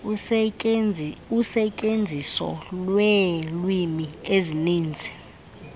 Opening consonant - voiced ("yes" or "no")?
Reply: no